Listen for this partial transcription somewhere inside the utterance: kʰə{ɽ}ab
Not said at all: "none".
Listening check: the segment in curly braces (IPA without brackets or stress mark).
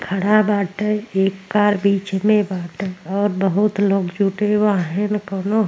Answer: ɽ